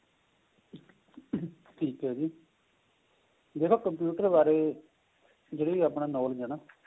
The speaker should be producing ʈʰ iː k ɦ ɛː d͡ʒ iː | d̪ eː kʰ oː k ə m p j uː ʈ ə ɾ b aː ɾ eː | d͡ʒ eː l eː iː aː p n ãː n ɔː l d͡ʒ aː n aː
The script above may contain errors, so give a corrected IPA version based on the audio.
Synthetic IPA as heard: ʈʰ iː k ɦ ɛː d͡ʒ iː | d̪ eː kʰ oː k ə m p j uː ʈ ə ɾ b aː ɾ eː | d͡ʒ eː ɽ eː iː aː p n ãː n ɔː l d͡ʒ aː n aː